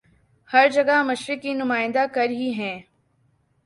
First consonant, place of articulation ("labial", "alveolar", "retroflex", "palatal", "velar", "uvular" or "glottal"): glottal